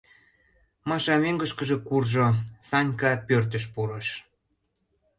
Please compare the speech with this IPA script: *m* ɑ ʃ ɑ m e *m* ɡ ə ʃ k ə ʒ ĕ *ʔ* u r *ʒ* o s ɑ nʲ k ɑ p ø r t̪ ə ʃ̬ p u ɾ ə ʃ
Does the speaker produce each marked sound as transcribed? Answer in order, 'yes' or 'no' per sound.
yes, no, no, yes

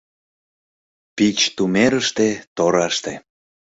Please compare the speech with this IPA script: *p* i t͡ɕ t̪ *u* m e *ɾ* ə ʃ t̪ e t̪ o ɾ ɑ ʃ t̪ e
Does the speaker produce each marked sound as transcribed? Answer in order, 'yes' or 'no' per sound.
yes, yes, yes

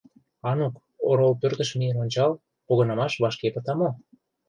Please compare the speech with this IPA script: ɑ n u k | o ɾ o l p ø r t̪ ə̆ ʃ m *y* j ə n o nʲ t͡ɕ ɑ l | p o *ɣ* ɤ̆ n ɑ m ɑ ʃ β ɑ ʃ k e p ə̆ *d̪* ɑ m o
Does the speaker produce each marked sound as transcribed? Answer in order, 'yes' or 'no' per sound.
no, yes, no

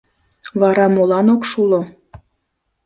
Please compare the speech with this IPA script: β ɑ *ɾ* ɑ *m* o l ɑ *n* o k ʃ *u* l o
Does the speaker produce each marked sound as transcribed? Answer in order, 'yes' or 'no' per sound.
yes, yes, yes, yes

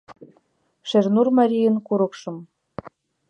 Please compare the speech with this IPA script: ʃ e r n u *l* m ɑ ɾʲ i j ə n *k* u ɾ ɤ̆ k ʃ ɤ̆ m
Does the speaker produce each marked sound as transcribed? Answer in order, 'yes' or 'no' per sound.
no, yes

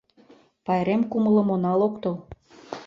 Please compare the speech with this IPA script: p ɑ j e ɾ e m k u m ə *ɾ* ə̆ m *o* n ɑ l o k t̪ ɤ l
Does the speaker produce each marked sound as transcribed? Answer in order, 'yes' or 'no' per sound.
no, yes

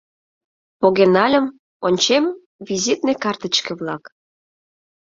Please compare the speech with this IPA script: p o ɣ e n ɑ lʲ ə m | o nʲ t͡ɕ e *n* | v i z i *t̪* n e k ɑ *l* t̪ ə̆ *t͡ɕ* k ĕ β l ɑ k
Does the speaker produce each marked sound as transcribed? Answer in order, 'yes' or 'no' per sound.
no, yes, no, yes

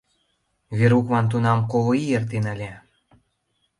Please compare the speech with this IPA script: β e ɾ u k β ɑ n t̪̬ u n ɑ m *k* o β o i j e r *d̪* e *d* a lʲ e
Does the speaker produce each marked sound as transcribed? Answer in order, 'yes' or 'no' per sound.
yes, no, no

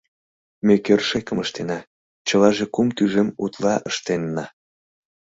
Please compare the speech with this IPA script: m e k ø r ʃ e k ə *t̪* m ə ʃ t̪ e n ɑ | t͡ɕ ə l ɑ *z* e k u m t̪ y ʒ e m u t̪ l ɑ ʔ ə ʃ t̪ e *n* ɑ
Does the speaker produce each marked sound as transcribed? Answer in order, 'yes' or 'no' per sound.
no, no, no

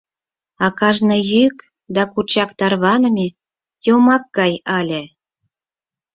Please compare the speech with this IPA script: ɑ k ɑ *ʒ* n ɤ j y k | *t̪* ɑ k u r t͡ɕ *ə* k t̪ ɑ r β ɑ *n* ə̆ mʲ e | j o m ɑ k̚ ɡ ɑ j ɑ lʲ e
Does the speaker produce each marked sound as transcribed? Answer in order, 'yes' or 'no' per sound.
yes, no, no, yes

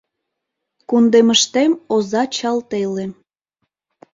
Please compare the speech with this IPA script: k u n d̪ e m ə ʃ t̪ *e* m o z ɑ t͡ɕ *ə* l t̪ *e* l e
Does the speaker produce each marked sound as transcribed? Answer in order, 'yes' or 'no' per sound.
yes, no, yes

